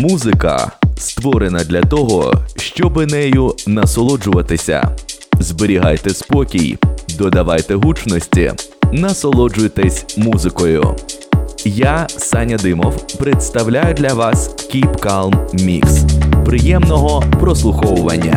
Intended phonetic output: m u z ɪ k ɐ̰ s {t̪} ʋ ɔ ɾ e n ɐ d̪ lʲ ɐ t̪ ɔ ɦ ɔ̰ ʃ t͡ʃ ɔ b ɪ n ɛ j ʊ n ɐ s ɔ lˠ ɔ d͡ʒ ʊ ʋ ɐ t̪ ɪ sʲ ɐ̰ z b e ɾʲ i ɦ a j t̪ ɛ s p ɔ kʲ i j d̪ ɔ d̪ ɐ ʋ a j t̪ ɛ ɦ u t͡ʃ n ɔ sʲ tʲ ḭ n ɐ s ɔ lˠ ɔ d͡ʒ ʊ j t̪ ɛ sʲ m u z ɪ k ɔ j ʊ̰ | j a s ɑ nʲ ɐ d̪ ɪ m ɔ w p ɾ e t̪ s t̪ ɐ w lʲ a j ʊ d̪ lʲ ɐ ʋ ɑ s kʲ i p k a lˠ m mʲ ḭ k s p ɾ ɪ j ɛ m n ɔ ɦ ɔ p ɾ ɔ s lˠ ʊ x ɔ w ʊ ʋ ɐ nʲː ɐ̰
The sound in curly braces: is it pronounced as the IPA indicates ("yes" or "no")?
yes